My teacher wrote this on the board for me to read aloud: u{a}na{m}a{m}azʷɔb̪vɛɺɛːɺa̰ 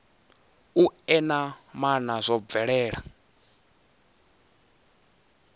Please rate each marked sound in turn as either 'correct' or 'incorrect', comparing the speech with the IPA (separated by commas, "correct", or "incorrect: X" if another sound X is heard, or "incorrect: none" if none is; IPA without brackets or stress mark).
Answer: incorrect: ɛ, correct, incorrect: n